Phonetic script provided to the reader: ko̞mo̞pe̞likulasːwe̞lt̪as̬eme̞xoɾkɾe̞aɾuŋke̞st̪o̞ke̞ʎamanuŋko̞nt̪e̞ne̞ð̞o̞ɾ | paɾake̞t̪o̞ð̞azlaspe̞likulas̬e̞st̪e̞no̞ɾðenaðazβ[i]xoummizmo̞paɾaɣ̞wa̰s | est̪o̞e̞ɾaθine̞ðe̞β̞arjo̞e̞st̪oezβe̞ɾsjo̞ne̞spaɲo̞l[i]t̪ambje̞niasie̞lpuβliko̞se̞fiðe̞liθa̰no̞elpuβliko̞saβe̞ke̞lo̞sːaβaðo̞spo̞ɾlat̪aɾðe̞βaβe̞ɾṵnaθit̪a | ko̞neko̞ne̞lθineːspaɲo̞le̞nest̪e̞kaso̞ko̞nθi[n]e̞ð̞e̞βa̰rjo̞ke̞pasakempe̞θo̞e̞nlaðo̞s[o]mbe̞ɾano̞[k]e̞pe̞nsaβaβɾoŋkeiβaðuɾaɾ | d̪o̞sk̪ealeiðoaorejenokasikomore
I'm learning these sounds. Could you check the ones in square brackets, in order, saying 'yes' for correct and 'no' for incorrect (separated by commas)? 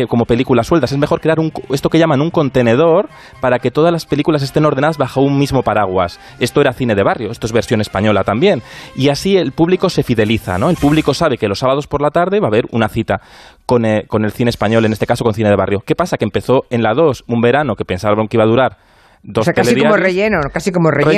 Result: no, no, yes, no, yes